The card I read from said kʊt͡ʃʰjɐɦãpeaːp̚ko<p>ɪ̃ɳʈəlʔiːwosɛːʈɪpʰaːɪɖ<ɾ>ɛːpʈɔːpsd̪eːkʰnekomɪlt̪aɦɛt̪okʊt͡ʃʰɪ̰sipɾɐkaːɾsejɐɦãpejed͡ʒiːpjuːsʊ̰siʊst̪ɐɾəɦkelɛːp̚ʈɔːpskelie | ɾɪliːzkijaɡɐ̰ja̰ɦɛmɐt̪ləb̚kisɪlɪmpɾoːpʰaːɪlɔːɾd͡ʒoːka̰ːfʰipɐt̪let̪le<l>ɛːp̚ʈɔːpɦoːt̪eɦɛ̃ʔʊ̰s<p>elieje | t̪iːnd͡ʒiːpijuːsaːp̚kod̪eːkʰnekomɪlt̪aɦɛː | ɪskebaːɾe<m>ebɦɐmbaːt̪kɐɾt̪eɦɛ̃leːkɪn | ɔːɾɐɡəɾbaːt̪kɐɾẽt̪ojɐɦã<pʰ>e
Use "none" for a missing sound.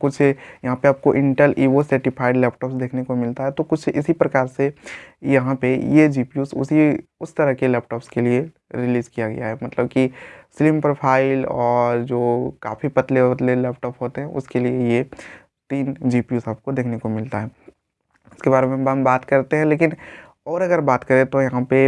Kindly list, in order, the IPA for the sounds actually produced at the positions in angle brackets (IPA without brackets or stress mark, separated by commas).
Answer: ʔ, l, l, k, m, p